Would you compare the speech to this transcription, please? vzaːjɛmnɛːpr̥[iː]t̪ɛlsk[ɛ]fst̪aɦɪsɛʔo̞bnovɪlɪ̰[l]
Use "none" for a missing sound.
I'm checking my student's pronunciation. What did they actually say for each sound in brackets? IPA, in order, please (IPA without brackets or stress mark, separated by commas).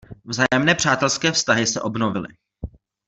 aː, ɛː, none